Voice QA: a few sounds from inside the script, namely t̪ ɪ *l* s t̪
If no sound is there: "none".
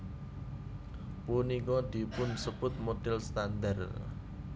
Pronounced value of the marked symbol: l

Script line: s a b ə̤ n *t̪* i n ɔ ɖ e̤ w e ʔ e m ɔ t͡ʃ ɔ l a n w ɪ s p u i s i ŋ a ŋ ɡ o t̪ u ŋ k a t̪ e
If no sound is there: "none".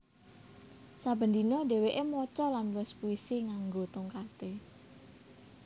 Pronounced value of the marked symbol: d̪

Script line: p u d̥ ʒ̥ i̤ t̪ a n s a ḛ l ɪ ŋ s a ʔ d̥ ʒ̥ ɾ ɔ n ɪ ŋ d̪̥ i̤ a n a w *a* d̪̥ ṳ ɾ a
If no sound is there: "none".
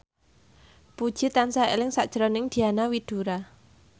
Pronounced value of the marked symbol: i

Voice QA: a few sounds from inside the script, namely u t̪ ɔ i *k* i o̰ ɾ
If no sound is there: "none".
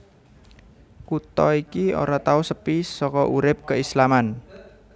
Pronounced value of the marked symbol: k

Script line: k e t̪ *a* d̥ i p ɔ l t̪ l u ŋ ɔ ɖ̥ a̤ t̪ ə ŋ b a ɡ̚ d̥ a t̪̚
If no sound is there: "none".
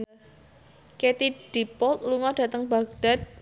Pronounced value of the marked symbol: i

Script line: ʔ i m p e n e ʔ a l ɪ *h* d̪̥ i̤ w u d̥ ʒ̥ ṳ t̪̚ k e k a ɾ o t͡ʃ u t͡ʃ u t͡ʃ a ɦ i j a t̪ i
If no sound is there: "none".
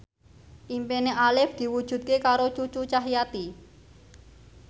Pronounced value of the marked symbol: f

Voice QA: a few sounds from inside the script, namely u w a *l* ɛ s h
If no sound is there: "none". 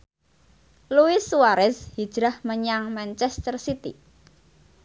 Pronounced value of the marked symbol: ɾ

